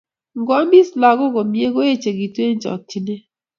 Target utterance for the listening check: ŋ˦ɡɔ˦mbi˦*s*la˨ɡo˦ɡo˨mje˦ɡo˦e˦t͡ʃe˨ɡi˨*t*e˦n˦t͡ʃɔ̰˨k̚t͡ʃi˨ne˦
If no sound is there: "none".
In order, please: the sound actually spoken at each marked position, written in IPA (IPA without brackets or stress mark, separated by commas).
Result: s, t